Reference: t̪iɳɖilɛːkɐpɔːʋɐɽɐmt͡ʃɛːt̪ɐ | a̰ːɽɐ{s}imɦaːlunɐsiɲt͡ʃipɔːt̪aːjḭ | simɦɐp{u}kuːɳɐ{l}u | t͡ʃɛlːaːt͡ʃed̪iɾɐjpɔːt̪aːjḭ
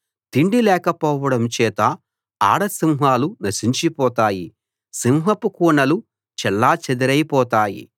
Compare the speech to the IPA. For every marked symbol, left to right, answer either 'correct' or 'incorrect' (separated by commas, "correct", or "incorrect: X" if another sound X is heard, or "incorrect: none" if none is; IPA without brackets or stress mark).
correct, correct, correct